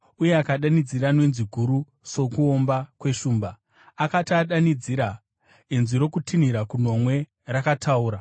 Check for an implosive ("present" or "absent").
present